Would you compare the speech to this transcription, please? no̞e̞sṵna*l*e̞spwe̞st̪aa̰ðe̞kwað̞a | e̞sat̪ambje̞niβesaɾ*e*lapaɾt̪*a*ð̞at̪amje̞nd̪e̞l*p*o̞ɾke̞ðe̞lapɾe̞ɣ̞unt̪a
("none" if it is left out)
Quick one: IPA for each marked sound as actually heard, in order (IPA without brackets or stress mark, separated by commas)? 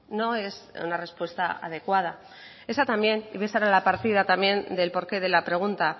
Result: r, a, i, p